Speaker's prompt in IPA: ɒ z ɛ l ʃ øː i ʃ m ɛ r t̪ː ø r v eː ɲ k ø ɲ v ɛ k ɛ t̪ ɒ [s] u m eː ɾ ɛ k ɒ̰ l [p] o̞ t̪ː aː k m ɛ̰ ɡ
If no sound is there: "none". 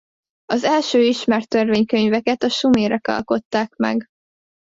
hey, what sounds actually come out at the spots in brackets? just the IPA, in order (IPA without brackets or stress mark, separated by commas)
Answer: ʃ, k